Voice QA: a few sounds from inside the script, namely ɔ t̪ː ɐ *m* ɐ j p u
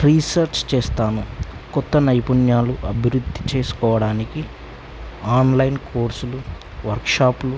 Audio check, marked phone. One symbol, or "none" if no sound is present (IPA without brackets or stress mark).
n